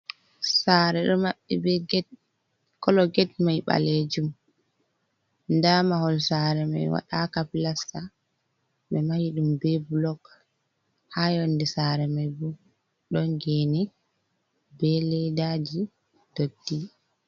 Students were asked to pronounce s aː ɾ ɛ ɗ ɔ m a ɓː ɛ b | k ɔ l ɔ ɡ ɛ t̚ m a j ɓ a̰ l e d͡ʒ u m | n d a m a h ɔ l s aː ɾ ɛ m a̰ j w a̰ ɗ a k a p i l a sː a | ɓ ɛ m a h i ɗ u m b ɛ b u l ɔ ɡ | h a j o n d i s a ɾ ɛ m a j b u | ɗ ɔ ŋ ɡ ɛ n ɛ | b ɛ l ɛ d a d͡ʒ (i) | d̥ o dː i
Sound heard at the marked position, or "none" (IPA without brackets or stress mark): i